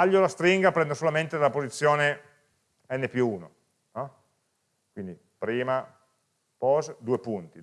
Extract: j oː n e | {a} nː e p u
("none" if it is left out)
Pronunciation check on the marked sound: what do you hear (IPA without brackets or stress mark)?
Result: ɛ